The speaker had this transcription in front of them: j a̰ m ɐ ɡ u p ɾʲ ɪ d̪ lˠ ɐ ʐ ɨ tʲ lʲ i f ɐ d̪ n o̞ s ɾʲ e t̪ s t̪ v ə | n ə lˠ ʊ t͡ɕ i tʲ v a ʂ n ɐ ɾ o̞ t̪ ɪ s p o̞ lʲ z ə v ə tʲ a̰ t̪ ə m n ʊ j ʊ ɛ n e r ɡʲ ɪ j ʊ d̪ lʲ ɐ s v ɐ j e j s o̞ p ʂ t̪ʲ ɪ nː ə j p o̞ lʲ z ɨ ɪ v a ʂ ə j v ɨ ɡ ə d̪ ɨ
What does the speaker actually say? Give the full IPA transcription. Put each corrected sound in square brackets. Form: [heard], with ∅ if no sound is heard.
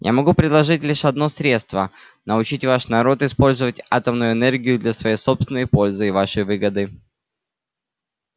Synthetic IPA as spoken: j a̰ m ɐ ɡ u p ɾʲ ɪ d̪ lˠ ɐ ʐ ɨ tʲ lʲ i [ʂ] ɐ d̪ n o̞ s ɾʲ e t̪ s t̪ v ə | n ə [∅] ʊ t͡ɕ i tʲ v a ʂ n ɐ ɾ o̞ t̪ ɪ s p o̞ lʲ z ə v ə tʲ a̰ t̪ ə m n ʊ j ʊ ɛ n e r ɡʲ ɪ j ʊ d̪ lʲ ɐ s v ɐ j e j s o̞ p [s] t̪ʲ ɪ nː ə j p o̞ lʲ z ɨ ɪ v a ʂ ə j v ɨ ɡ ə d̪ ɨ

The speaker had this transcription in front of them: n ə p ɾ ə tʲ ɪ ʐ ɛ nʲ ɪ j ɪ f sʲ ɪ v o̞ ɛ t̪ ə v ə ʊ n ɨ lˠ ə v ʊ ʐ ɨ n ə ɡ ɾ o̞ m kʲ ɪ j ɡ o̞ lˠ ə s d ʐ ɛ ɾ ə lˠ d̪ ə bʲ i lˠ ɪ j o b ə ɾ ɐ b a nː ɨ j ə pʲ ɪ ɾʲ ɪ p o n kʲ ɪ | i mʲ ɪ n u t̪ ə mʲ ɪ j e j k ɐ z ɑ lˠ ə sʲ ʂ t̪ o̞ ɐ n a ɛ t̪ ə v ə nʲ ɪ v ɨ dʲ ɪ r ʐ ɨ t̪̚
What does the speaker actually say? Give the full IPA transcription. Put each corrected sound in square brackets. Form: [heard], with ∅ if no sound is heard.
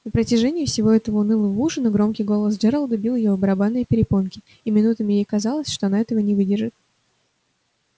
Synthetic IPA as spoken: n ə p ɾ ə tʲ ɪ ʐ ɛ nʲ ɪ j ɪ f sʲ ɪ v o̞ ɛ t̪ ə v ə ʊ n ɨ lˠ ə v [u] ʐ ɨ n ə ɡ ɾ o̞ m kʲ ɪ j ɡ o̞ lˠ ə s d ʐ ɛ ɾ ə lˠ d̪ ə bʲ i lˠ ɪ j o b ə ɾ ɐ b a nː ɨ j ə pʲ ɪ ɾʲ ɪ p o n kʲ ɪ | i mʲ ɪ n u t̪ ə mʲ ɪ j e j k ɐ z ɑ lˠ ə sʲ ʂ t̪ o̞ ɐ n a ɛ t̪ ə v ə nʲ ɪ v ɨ dʲ ɪ r ʐ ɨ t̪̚

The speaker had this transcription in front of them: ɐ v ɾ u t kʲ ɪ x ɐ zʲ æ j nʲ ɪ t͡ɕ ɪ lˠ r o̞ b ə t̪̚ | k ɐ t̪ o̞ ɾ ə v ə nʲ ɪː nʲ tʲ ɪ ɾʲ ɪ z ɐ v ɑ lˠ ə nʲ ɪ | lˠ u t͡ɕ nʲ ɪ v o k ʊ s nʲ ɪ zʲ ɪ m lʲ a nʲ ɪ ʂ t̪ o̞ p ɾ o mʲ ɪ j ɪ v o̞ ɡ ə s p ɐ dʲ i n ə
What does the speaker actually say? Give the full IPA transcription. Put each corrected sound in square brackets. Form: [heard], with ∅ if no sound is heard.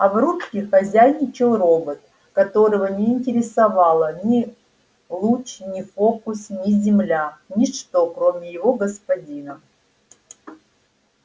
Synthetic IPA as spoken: ɐ v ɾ u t kʲ ɪ x ɐ zʲ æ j nʲ ɪ t͡ɕ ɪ lˠ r o̞ b ə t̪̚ | k ɐ t̪ o̞ ɾ ə v ə nʲ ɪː nʲ tʲ ɪ ɾʲ ɪ [s] ɐ v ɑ lˠ ə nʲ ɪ | lˠ u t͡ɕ nʲ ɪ [f] o k ʊ s nʲ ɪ zʲ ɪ m lʲ a nʲ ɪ ʂ t̪ o̞ [k] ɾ o mʲ ɪ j ɪ v o̞ ɡ ə s p ɐ dʲ i n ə

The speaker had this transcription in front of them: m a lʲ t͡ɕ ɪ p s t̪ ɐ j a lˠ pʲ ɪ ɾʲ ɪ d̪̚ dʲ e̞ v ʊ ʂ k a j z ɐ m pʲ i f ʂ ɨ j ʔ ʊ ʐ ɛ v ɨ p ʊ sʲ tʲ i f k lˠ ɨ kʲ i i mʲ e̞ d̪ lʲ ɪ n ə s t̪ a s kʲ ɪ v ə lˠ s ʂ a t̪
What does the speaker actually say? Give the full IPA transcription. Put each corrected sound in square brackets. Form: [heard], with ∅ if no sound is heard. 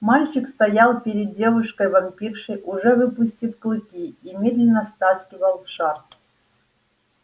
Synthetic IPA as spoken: m a lʲ t͡ɕ ɪ [k] s t̪ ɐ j a lˠ pʲ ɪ ɾʲ ɪ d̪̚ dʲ e̞ v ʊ ʂ k [ə] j [v] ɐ m pʲ i f ʂ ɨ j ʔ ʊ ʐ ɛ v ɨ p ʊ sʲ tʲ i f k lˠ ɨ kʲ i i mʲ e̞ d̪ lʲ ɪ n ə s t̪ a s kʲ ɪ v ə lˠ [f] ʂ a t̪

